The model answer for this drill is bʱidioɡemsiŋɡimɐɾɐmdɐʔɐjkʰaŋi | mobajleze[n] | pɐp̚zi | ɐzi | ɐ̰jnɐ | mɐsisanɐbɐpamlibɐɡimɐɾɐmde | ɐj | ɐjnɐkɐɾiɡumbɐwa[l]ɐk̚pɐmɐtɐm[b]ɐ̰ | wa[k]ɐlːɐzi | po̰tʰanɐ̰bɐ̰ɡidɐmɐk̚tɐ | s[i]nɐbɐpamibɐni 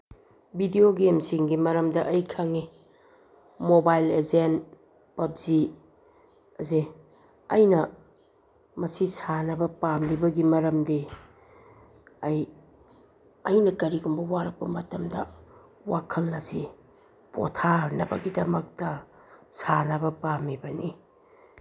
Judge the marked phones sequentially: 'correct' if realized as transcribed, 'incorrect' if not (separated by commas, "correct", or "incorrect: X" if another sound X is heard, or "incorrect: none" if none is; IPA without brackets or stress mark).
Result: correct, incorrect: ɾ, incorrect: d, incorrect: kʰ, incorrect: a